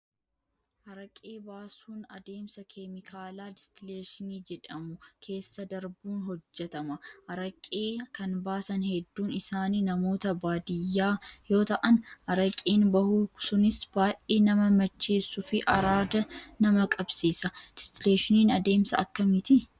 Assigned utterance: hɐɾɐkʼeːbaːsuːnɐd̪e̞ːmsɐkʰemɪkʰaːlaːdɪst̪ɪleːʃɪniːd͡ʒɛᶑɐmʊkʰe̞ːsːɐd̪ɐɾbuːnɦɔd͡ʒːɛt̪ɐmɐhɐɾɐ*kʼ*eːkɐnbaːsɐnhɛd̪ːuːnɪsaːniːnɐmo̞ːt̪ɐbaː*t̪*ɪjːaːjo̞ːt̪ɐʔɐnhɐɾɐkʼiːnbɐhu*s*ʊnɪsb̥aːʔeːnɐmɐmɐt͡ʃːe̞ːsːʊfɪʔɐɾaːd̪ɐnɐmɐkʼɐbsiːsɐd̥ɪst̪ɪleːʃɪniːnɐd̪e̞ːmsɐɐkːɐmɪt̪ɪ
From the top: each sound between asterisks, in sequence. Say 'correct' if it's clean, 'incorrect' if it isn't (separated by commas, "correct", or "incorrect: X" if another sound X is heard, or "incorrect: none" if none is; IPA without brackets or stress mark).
correct, incorrect: d̪, correct